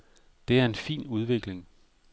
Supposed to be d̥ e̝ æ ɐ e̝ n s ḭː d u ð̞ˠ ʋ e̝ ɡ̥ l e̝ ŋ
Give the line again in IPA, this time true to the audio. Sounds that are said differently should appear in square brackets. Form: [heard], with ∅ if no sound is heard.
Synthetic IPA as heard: d̥ e̝ æ ɐ e̝ n [f] ḭː [n] u ð̞ˠ ʋ e̝ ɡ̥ l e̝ ŋ